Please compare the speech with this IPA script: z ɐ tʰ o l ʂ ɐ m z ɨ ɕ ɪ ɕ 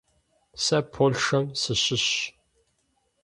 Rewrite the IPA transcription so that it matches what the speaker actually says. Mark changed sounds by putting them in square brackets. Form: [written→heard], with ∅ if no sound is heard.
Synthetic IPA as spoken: [z→s] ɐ [tʰ→pʰ] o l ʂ ɐ m [z→s] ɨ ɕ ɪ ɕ